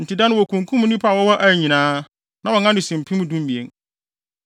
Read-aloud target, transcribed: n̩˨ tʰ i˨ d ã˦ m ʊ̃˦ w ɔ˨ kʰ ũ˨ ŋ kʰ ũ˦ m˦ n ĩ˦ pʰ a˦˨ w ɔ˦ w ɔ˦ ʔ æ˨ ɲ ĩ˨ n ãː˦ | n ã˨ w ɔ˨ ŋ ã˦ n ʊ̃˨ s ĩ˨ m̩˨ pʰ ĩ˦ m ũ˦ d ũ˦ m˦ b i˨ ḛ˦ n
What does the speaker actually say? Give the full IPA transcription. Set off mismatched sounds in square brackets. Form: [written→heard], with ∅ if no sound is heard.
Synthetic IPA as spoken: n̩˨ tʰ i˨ d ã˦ [m→n] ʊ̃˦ w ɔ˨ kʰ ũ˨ ŋ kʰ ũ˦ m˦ n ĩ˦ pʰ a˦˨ w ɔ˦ w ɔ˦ ʔ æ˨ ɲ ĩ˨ n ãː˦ | n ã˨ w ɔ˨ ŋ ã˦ n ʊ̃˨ s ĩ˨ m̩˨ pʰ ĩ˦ m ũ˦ d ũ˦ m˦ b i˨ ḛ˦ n